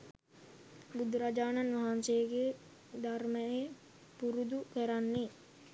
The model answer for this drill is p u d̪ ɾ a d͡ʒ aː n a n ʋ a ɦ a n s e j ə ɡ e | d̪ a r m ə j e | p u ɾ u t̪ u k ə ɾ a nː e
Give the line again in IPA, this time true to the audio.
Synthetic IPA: b u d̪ ɾ a d͡ʒ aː n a n ʋ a ɦ a n s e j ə ɡ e | d̪ a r m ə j e | p u ɾ u d̪ u k ə ɾ a nː e